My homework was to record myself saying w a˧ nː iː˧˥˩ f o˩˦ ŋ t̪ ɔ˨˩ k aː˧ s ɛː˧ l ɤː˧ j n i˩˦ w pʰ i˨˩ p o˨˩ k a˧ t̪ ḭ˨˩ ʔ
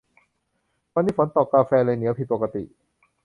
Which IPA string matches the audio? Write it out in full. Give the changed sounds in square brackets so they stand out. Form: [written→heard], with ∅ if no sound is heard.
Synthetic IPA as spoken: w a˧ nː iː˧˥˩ f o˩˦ [ŋ→n] t̪ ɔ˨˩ k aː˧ [s→f] ɛː˧ l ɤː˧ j n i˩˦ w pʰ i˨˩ p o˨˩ k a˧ t̪ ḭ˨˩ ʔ